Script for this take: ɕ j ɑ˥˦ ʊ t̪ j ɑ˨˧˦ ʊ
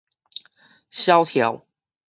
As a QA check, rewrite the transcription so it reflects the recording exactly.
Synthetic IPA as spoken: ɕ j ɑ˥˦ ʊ t̪ʰ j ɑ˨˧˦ ʊ